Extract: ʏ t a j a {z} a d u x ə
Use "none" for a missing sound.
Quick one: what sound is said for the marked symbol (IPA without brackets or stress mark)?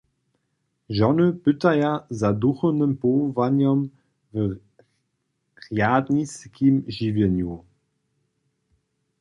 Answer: z